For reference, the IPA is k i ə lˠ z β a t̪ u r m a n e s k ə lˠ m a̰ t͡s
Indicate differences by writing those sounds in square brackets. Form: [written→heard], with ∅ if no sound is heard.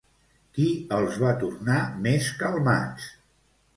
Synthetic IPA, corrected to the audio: k i ə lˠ z β a t̪ u r [m→n] a [n→m] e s k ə lˠ m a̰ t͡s